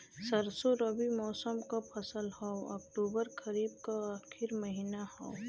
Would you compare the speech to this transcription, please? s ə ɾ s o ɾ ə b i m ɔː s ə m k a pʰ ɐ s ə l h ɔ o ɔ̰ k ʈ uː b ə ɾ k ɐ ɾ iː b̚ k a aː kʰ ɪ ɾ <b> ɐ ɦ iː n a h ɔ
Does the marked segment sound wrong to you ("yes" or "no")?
yes